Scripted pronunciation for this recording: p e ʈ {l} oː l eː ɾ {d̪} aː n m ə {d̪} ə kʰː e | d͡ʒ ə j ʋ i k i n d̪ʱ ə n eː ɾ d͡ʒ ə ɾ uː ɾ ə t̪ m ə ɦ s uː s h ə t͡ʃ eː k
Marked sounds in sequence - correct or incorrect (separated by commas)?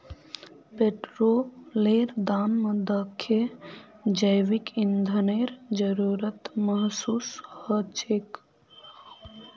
incorrect, correct, correct